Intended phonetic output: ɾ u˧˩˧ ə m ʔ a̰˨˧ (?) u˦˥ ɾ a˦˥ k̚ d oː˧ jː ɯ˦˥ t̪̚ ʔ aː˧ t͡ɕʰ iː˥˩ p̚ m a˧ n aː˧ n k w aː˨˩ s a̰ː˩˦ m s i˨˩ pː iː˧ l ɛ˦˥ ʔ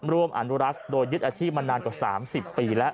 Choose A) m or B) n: B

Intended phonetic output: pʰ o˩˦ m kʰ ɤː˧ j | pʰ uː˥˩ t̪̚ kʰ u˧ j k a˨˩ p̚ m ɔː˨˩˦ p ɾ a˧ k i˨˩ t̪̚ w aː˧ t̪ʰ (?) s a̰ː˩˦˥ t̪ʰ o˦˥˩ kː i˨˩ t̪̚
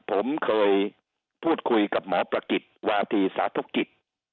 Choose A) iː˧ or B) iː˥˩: A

